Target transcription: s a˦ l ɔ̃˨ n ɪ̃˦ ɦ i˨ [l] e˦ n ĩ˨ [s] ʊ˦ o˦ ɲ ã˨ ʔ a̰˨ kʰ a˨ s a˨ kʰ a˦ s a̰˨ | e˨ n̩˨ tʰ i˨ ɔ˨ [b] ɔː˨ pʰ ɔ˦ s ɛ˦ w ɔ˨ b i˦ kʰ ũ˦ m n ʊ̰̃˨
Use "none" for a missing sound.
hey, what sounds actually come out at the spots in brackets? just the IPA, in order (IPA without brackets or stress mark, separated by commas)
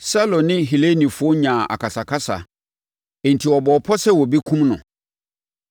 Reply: l, f, b